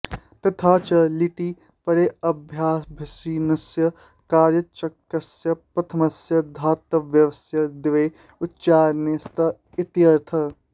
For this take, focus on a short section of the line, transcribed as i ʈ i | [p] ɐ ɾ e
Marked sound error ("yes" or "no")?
no